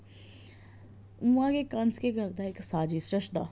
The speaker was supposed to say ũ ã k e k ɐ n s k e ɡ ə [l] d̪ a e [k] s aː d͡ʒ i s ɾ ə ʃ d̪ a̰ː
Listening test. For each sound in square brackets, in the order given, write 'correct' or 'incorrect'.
incorrect: ɾ, correct

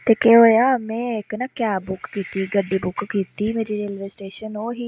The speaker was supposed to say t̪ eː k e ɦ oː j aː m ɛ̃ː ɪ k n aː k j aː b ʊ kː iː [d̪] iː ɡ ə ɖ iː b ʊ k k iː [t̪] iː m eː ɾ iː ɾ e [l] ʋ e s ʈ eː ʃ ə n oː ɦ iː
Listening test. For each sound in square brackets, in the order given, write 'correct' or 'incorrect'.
incorrect: t̪, correct, correct

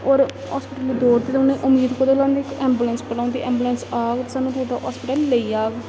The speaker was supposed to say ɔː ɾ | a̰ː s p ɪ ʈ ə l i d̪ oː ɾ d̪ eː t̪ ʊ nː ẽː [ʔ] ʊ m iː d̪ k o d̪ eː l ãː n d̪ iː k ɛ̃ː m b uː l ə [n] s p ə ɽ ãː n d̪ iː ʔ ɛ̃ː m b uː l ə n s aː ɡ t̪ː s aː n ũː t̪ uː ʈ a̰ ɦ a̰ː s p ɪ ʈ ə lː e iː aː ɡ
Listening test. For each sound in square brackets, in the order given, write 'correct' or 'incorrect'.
correct, correct

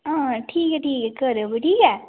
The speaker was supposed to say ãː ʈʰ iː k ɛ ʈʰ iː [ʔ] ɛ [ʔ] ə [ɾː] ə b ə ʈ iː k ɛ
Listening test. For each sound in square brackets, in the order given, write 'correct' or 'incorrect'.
incorrect: k, incorrect: k, incorrect: ɾ

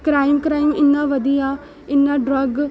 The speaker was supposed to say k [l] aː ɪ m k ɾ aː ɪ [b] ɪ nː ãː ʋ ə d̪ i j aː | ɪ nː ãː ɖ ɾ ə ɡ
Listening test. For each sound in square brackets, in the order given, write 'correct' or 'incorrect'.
incorrect: ɾ, incorrect: m

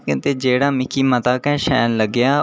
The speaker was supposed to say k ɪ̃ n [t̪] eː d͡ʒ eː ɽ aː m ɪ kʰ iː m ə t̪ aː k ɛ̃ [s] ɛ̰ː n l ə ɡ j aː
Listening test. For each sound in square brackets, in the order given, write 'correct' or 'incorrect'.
correct, incorrect: ʃ

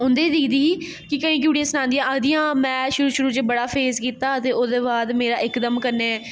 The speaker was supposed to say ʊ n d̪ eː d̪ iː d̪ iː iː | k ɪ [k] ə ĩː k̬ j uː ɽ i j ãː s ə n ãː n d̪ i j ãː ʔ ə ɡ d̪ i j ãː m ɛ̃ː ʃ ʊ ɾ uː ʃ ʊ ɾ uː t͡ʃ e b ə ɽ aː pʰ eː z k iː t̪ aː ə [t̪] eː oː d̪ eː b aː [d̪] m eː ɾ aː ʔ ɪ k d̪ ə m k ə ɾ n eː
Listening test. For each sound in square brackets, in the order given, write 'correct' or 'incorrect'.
correct, correct, correct

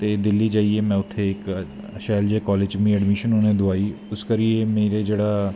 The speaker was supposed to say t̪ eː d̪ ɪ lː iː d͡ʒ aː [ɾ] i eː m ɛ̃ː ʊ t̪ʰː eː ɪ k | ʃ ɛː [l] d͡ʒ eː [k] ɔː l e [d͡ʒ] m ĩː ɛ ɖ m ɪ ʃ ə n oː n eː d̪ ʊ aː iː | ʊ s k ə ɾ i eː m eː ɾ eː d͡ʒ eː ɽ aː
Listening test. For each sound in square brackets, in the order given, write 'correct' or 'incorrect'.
incorrect: none, correct, correct, correct

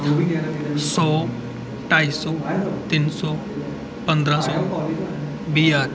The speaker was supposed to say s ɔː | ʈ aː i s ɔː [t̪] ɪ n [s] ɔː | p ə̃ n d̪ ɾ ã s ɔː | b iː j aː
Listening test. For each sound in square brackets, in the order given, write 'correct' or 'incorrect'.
correct, correct

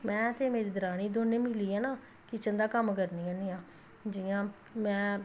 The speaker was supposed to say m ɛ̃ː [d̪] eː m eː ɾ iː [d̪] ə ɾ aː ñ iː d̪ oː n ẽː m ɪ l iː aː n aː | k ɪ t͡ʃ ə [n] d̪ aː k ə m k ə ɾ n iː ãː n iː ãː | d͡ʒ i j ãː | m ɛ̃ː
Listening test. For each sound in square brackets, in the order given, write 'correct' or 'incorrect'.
incorrect: t̪, correct, correct

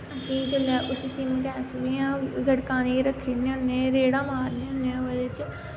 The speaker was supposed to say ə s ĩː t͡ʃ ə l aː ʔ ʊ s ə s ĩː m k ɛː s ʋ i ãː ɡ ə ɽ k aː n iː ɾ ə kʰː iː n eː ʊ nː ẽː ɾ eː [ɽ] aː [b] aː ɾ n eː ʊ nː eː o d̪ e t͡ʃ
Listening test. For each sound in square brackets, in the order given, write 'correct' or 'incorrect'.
correct, incorrect: m

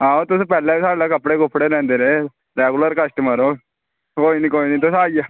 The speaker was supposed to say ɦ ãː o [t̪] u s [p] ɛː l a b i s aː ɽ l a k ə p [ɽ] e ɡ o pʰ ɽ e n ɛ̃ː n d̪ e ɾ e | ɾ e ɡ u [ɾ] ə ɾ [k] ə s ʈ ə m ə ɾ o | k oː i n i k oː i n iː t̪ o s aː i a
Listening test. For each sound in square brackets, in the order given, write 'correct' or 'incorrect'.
correct, correct, correct, incorrect: l, correct

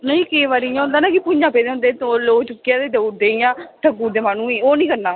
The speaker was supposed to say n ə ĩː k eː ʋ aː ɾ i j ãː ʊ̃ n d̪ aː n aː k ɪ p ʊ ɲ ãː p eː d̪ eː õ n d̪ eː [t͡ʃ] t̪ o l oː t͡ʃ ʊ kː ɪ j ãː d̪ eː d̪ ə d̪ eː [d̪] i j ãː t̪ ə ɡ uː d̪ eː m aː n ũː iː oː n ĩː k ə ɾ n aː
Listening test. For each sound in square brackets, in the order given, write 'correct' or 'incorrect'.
incorrect: none, incorrect: none

